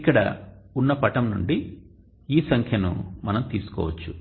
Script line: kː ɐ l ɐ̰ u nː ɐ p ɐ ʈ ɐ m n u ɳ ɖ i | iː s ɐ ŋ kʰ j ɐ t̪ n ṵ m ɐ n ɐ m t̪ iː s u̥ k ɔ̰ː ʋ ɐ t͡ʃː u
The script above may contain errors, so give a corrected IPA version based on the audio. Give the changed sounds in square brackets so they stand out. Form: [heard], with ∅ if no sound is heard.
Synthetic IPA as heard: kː ɐ [ɽ] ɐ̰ u nː ɐ p ɐ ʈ ɐ m n u ɳ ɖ i | iː s ɐ ŋ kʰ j ɐ [∅] n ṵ m ɐ n ɐ m t̪ iː s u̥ k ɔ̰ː ʋ ɐ t͡ʃː u